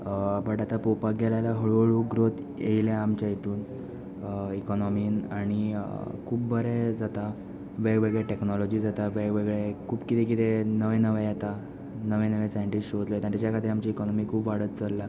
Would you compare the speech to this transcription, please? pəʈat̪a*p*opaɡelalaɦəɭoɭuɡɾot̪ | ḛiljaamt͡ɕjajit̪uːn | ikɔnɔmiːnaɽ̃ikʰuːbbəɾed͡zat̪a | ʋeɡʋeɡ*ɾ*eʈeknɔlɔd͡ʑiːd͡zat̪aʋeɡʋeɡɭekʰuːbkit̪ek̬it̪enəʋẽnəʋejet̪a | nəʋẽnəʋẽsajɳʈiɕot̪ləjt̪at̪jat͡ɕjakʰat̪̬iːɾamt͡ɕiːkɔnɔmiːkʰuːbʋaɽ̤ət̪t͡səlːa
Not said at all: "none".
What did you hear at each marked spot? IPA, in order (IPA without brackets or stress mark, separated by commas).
p, ɭ